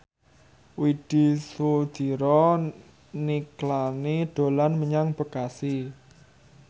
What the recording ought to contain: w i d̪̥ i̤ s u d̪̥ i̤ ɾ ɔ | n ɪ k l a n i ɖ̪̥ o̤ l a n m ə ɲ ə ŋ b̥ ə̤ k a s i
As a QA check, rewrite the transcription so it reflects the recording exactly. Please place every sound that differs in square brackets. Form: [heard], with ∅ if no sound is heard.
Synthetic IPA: w i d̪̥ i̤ s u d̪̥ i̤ ɾ ɔ | n [i] k l a n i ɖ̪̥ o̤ l a n m ə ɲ [a] ŋ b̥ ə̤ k a s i